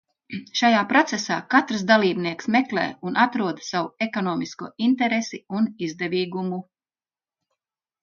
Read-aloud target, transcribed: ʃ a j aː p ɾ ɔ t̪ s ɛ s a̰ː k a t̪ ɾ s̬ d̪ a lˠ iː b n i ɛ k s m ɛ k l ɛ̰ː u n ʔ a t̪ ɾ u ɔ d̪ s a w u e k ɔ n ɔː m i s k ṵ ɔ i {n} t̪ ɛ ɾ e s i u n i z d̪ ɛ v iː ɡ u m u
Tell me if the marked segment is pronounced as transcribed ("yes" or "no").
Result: yes